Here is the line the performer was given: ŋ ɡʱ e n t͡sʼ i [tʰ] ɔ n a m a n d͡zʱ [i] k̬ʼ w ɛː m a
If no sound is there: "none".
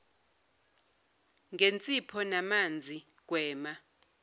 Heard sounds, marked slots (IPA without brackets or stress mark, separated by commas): pʰ, i